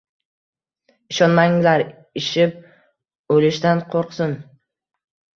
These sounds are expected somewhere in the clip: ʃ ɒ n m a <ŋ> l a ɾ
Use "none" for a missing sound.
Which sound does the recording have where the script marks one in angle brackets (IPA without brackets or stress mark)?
ŋ